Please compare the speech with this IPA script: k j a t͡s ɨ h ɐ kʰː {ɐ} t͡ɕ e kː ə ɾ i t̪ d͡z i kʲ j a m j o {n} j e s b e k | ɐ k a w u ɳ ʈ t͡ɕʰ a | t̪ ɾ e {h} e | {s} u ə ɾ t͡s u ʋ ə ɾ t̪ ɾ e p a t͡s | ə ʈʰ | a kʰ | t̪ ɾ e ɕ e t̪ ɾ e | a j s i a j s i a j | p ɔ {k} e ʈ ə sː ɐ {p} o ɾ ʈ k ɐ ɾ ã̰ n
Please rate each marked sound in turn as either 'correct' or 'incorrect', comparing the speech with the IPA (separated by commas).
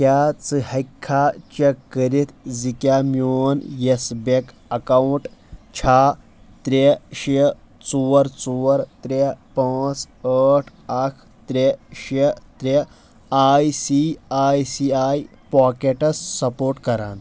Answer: incorrect, correct, incorrect, incorrect, correct, correct